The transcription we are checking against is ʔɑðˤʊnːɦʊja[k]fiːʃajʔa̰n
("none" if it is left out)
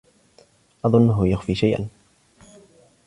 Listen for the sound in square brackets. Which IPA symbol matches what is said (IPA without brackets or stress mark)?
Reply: x